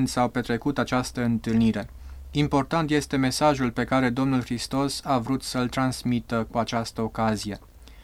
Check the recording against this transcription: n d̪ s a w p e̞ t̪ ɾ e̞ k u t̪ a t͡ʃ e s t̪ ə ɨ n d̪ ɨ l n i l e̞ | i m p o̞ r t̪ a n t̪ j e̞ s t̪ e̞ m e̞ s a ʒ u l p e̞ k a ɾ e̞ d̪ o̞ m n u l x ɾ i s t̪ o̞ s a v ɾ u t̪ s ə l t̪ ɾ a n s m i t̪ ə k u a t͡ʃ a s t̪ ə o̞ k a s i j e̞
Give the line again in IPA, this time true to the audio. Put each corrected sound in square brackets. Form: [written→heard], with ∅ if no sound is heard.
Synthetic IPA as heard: n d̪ s a w p e̞ t̪ ɾ e̞ k u t̪ a t͡ʃ [e→a] s t̪ ə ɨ n [d̪→t̪] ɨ l n i [l→ɾ] e̞ | i m p o̞ r t̪ a n t̪ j e̞ s t̪ e̞ m e̞ s a ʒ u l p e̞ k a ɾ e̞ d̪ o̞ m n u l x ɾ i s t̪ o̞ s a v ɾ u t̪ s ə l t̪ ɾ a n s m i t̪ ə k u a t͡ʃ a s t̪ ə o̞ k a [s→z] i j e̞